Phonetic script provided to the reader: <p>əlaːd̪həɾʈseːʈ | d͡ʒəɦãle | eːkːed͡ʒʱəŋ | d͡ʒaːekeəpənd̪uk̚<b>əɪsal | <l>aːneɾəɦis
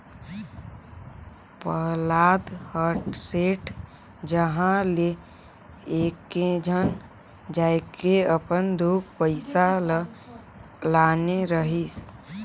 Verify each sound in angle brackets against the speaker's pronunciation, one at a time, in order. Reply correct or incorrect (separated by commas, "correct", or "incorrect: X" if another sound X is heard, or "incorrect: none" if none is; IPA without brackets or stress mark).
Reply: correct, incorrect: p, correct